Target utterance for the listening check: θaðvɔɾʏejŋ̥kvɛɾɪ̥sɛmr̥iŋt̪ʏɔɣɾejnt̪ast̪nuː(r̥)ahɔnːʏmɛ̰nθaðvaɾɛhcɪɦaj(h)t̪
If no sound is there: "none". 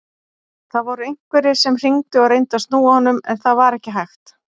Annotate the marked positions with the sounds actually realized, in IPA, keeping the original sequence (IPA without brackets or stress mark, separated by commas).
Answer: none, x